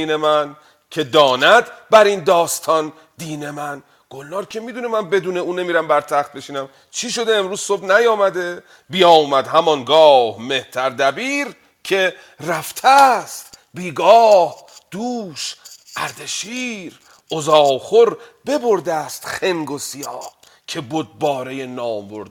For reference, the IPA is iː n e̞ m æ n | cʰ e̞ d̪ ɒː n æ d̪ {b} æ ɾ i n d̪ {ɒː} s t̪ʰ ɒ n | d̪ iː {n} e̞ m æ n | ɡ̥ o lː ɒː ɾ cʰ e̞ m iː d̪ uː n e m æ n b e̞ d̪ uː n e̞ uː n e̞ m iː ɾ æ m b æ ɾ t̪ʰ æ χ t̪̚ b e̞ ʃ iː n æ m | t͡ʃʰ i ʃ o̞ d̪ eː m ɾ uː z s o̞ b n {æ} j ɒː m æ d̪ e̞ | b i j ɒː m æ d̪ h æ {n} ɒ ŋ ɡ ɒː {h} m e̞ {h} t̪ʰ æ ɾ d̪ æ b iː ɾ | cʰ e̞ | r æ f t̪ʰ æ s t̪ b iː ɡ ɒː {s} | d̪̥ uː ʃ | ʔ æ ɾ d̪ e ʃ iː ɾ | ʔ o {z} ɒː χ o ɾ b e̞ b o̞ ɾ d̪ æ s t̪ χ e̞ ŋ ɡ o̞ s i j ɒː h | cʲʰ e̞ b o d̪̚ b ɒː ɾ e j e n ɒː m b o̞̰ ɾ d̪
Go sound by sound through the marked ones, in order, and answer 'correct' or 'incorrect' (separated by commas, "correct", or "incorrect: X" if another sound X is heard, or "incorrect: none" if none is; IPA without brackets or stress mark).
correct, correct, correct, correct, incorrect: m, correct, correct, incorrect: h, correct